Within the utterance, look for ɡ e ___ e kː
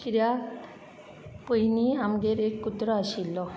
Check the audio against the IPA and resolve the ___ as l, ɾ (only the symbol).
ɾ